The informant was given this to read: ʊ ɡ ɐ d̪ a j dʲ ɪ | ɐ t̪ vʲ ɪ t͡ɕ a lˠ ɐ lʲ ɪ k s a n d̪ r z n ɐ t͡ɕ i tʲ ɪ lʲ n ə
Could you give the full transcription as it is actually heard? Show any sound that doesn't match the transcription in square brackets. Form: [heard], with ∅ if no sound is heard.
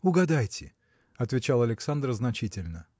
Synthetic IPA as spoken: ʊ ɡ ɐ d̪ a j [tʲ] ɪ | ɐ t̪ vʲ ɪ t͡ɕ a lˠ ɐ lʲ ɪ k s a n d̪ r z n ɐ t͡ɕ i tʲ ɪ lʲ n ə